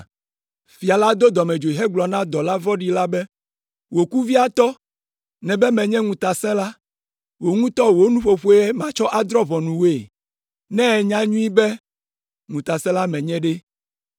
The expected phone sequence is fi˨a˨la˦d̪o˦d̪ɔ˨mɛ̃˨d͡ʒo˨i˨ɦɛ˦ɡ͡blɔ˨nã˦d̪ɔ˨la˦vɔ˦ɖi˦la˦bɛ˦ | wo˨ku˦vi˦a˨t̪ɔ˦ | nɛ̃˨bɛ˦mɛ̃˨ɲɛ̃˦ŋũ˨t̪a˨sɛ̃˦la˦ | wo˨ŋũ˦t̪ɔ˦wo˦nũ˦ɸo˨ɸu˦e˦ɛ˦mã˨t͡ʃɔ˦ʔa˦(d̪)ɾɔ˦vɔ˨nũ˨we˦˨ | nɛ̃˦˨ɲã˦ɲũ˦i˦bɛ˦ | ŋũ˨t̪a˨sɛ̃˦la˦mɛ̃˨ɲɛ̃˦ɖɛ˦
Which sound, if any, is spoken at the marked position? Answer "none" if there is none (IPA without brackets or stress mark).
d̪